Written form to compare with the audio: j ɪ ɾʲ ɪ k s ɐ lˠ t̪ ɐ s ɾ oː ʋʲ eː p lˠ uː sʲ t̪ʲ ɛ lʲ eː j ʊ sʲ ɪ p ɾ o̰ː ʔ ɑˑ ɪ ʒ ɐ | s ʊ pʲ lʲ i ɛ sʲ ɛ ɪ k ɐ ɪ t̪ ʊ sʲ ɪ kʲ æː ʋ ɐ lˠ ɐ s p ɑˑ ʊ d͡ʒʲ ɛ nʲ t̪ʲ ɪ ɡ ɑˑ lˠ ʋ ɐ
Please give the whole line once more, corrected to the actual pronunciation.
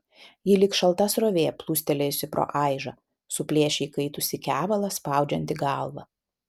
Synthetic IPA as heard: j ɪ lʲ ɪ k ʃ ɐ lˠ t̪ ɐ s ɾ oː ʋʲ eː p lˠ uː sʲ t̪ʲ ɛ lʲ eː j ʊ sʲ ɪ p ɾ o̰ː ʔ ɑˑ ɪ ʒ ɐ | s ʊ pʲ lʲ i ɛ ʃʲ ɛ ɪ k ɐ ɪ t̪ ʊ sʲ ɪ kʲ æː ʋ ɐ lˠ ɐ s p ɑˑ ʊ d͡ʒʲ ɛ nʲ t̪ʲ ɪ ɡ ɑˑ lˠ ʋ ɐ